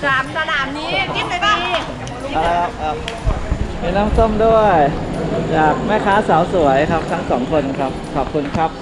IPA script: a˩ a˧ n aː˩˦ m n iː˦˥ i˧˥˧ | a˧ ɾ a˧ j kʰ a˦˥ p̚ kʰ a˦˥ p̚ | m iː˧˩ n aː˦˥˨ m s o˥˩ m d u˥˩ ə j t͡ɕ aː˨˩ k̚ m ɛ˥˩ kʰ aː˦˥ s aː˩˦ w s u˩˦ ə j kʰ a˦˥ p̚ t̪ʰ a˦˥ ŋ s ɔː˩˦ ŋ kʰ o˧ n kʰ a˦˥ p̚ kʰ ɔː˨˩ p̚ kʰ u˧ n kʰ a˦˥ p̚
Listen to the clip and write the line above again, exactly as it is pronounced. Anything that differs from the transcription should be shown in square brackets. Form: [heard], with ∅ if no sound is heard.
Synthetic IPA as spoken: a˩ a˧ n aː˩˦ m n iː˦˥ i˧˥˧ | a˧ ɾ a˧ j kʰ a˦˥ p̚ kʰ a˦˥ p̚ | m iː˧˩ n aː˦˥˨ m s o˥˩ m d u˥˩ ə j t͡ɕ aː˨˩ k̚ m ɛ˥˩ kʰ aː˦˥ s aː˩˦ w s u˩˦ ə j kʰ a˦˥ p̚ t̪ʰ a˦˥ ŋ s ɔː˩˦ ŋ kʰ o˧ n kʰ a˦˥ p̚ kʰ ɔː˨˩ p̚ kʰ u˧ n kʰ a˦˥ p̚